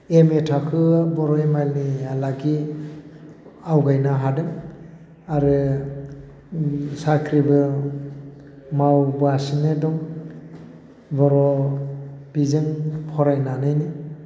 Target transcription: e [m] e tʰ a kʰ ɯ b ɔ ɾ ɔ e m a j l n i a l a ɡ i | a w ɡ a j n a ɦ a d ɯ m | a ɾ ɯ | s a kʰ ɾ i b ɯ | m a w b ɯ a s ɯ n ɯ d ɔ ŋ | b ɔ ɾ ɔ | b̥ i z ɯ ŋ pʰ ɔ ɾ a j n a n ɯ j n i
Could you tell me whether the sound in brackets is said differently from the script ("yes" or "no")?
no